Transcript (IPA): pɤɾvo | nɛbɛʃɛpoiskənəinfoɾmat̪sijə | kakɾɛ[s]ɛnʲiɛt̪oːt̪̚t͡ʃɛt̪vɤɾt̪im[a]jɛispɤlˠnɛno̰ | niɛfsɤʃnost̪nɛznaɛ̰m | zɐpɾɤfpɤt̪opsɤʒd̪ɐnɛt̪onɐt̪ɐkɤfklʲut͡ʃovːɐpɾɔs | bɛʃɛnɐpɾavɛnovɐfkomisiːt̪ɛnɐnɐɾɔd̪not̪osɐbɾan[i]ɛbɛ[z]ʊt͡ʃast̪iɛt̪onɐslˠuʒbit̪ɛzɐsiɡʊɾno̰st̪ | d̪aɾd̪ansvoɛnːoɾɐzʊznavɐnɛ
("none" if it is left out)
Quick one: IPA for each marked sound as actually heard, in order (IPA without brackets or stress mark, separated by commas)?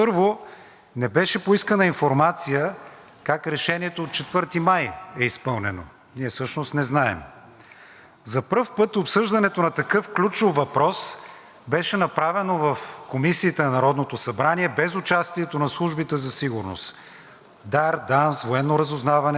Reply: ʃ, a, i, z